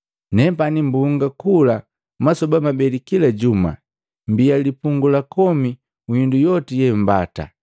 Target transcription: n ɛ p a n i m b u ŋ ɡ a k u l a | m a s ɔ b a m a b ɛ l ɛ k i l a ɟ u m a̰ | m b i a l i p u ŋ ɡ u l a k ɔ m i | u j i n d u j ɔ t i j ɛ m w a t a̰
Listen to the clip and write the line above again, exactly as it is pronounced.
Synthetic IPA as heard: n ɛ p a n i m b u ŋ ɡ a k u l a | m a s ɔ b a m a b ɛ l i k i l a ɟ u m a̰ | m b i a l i p u ŋ ɡ u l a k ɔ m i | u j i n d u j ɔ t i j ɛ m b a t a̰